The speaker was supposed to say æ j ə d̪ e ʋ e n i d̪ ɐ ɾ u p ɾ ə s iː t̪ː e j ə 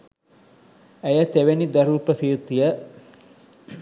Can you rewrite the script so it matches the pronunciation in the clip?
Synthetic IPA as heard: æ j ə t̪ e ʋ e n i d̪ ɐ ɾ u p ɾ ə s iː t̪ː i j ə